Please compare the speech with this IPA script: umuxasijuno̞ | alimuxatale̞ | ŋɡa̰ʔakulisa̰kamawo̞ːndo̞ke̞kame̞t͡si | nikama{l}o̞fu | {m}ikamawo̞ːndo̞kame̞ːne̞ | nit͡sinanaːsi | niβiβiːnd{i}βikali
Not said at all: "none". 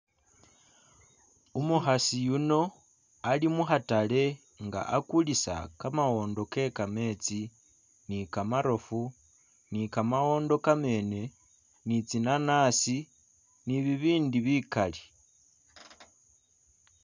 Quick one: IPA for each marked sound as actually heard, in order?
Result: ɾ, n, i

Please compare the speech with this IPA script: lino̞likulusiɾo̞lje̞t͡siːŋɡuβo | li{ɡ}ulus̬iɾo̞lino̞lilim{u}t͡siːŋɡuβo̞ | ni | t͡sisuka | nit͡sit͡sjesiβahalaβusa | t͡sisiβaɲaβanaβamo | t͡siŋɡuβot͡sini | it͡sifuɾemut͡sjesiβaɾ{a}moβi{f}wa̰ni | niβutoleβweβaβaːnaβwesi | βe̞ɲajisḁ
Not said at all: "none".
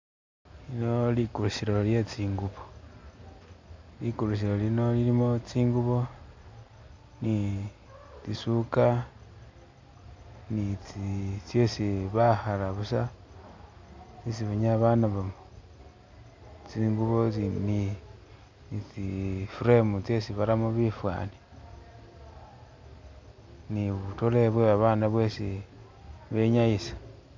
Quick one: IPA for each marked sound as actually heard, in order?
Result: k, o, a, f

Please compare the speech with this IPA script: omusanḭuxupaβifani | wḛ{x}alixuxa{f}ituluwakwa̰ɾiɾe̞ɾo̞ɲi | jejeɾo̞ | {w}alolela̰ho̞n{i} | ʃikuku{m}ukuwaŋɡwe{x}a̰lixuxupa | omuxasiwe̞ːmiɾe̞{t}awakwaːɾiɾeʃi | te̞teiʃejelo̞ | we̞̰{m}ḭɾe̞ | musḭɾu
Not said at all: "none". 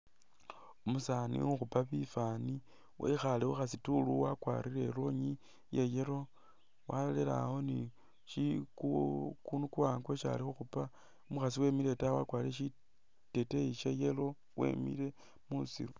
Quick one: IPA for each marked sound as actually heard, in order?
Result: x, s, w, i, n, ʃ, t, m

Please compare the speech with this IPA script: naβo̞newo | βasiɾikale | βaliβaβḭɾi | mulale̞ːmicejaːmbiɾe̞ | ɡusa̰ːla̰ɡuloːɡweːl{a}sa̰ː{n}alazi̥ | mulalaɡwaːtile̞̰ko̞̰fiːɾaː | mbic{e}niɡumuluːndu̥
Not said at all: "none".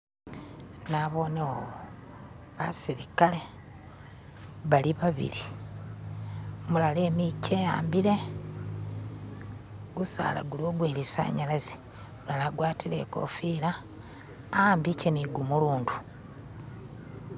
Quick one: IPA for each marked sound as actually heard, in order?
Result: i, ɲ, e

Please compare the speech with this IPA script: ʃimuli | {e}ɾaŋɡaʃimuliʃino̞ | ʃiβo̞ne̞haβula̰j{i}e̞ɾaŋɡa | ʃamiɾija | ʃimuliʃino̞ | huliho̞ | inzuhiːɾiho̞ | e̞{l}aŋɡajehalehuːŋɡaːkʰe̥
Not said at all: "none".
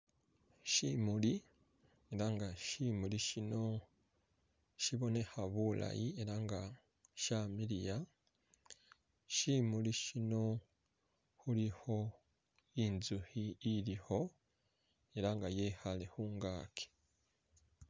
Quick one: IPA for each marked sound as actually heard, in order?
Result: e, i, ɾ

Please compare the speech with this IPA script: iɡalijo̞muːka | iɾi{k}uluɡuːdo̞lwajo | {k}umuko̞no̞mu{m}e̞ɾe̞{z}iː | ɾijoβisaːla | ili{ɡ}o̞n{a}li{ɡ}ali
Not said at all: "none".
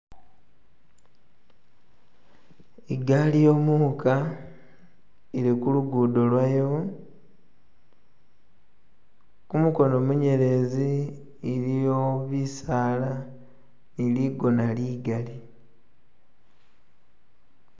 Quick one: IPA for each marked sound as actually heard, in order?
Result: k, k, ɲ, z, ɡ, a, ɡ

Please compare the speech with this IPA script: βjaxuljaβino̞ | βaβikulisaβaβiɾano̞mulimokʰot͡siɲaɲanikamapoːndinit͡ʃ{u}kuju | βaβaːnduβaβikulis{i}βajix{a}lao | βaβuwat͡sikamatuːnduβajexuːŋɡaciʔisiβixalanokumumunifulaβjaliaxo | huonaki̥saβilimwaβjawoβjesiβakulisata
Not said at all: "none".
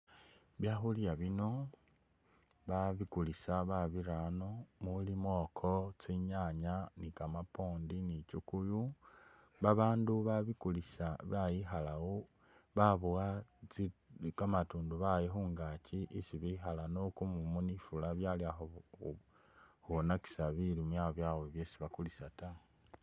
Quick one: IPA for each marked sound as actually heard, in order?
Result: u, a, a

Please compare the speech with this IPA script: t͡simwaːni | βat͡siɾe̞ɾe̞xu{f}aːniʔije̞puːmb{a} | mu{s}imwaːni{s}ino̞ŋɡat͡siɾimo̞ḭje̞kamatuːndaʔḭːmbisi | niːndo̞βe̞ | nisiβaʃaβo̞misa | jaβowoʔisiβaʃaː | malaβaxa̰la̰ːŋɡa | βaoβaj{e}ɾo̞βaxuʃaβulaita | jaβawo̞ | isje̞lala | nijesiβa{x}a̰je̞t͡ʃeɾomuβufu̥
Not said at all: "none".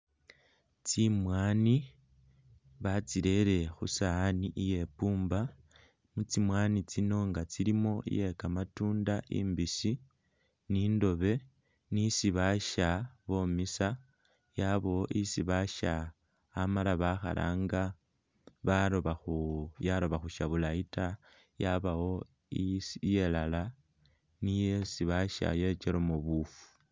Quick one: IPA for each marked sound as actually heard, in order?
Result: s, a, t͡s, t͡s, a, ʃ

